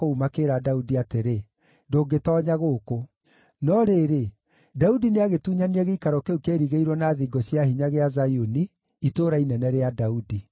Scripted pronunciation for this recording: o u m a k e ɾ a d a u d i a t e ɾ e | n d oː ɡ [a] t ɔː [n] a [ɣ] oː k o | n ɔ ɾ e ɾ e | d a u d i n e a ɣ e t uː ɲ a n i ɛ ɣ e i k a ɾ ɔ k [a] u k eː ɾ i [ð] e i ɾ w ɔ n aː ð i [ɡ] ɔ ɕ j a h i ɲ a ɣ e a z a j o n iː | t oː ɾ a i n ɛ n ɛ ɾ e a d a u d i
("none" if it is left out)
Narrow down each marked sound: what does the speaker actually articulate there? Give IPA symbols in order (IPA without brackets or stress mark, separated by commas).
e, ɲ, ɣ, e, ɣ, ɡ